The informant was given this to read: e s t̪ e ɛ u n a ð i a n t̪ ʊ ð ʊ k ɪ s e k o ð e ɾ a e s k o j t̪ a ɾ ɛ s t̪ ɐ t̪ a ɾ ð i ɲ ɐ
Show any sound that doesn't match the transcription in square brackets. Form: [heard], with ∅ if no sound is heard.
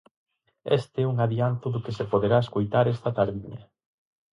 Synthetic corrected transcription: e s t̪ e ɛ u [ŋ] a ð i a n t̪ ʊ ð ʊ k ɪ s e [p] o ð e ɾ a e s k o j t̪ a ɾ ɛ s t̪ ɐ t̪ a ɾ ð i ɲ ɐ